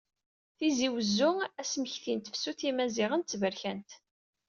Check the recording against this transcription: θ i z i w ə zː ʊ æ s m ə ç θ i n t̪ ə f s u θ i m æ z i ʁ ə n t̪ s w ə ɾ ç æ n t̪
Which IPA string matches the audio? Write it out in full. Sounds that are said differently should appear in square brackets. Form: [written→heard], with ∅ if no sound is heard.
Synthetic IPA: θ i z i w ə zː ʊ æ s m ə ç θ i n t̪ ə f s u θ i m æ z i ʁ ə n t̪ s [w→v] ə ɾ ç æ n t̪